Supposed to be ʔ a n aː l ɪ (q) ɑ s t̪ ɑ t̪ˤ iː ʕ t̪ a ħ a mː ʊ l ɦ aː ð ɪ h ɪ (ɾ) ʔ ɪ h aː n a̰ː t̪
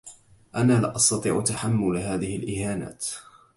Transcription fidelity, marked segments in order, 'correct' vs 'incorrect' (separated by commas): incorrect, incorrect